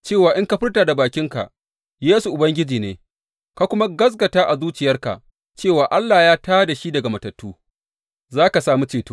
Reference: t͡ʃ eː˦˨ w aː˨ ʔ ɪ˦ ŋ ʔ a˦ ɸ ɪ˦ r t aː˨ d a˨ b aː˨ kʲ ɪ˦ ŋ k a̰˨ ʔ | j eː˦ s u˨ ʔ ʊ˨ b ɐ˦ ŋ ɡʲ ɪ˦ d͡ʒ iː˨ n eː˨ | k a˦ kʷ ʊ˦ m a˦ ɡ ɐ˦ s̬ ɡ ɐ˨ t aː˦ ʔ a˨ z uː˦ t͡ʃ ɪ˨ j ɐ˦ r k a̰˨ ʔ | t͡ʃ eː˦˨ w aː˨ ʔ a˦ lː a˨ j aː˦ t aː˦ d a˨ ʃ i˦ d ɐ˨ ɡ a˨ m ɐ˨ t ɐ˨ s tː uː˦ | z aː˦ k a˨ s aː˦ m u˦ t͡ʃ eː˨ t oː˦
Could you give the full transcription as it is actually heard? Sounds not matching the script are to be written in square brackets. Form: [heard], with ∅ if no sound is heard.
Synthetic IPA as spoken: t͡ʃ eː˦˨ w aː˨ ʔ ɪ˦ ŋ [k] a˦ ɸ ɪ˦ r t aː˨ d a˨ b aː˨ kʲ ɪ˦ ŋ k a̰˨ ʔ | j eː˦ s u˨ ʔ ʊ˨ b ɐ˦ ŋ ɡʲ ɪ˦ d͡ʒ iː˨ n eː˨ | k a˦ kʷ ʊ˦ m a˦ ɡ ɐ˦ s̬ ɡ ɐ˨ t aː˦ ʔ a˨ z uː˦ t͡ʃ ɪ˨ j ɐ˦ r k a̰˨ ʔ | t͡ʃ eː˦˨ w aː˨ ʔ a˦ lː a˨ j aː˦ t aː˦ d a˨ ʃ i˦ d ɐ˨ ɡ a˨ m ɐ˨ t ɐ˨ [∅] tː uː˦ | z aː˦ k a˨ s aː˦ m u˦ t͡ʃ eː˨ t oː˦